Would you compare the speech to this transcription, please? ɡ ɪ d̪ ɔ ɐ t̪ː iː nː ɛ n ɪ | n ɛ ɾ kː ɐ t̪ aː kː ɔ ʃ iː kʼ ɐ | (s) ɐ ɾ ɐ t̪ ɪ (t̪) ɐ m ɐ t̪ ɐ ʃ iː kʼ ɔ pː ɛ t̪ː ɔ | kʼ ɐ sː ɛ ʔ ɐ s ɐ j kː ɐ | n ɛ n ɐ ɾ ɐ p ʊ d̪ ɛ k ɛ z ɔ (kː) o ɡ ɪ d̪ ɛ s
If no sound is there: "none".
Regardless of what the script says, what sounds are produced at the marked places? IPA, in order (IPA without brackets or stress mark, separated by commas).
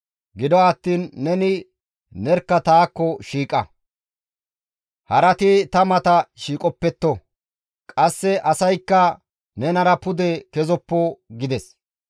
h, t̪, pː